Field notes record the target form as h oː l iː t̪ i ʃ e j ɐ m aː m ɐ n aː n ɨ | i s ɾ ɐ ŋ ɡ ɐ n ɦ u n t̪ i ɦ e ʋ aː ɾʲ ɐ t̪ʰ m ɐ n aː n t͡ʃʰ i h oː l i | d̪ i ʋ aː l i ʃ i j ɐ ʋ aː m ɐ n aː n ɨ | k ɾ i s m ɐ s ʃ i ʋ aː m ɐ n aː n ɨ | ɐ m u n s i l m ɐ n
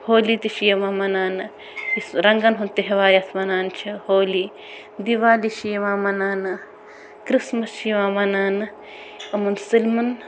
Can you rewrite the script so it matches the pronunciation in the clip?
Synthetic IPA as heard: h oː l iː t̪ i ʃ i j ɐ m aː m ɐ n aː n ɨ | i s ɾ ɐ ŋ ɡ ɐ n ɦ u n t̪ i ɦ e ʋ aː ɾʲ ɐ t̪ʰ m ɐ n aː n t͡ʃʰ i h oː l i | d̪ i ʋ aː l i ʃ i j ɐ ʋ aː m ɐ n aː n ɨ | k ɾ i s m ɐ s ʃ i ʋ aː m ɐ n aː n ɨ | ɐ m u n s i l m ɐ n